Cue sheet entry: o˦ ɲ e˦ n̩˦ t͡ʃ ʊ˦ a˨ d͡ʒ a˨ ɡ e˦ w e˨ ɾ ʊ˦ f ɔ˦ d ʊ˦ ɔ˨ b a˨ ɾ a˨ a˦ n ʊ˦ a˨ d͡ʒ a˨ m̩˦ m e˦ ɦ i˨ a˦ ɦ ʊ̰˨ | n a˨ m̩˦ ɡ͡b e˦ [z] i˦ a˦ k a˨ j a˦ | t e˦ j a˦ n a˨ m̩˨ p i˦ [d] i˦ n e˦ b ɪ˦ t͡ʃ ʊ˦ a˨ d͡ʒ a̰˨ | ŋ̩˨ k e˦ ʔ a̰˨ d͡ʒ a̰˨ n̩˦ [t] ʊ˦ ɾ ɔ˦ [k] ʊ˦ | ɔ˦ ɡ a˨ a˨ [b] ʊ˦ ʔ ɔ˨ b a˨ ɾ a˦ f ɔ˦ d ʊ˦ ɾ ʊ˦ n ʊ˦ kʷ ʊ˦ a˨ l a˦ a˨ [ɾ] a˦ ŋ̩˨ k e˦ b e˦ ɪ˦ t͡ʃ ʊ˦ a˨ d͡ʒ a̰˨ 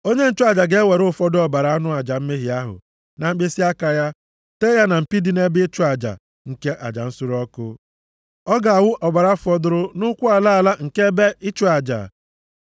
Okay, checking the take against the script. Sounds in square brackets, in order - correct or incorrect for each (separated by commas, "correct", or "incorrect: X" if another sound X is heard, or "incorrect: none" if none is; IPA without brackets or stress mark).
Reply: incorrect: s, correct, incorrect: s, correct, incorrect: w, incorrect: l